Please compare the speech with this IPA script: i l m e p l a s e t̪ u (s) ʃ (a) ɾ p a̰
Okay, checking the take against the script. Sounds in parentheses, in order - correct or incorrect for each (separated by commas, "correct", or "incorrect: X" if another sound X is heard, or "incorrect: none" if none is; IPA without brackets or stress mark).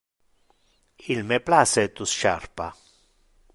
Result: correct, correct